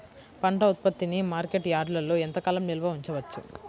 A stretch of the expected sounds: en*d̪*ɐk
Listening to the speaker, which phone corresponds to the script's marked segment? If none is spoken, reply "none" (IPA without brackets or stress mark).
t̪